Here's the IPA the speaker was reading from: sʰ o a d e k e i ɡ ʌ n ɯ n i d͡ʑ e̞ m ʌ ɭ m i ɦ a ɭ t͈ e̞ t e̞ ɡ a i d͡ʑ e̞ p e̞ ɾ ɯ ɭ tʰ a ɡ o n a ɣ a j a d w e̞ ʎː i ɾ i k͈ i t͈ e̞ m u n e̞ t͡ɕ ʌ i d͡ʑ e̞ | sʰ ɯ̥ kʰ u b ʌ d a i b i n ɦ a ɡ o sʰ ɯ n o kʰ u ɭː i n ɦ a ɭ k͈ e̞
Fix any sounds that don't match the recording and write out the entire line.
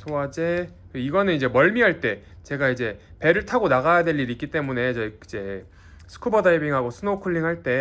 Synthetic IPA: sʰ o a d͡ʑ e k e i ɡ ʌ n ɯ n i d͡ʑ e̞ m ʌ ɭ m i ɦ a ɭ t͈ e̞ t͡ɕ e̞ ɡ a i d͡ʑ e̞ p e̞ ɾ ɯ ɭ tʰ a ɡ o n a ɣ a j a d w e̞ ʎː i ɾ i k͈ i t͈ e̞ m u n e̞ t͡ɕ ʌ i d͡ʑ e̞ | sʰ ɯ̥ kʰ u b ʌ d a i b i ŋ ɦ a ɡ o sʰ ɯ n o kʰ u ɭː i ŋ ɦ a ɭ t͈ e̞